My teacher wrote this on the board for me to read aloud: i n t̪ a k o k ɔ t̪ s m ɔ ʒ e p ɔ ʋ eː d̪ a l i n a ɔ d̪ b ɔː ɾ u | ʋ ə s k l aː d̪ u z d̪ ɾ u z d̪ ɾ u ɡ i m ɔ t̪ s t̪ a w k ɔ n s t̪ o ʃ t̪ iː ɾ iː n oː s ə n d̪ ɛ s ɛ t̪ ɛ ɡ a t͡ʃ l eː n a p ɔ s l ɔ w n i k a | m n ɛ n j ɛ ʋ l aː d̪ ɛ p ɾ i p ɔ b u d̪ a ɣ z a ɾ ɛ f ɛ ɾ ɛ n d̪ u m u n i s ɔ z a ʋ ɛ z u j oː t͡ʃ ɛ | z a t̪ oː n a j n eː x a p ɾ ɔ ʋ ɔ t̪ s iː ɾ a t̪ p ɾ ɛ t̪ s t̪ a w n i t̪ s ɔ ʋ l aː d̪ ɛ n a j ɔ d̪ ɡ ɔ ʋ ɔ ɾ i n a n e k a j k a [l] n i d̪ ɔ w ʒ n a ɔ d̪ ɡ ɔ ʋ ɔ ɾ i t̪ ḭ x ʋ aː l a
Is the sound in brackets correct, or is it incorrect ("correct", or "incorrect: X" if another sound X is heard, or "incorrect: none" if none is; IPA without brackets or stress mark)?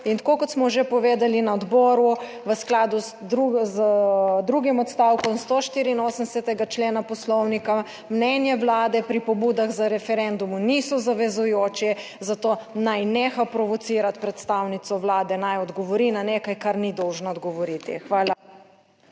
incorrect: ɾ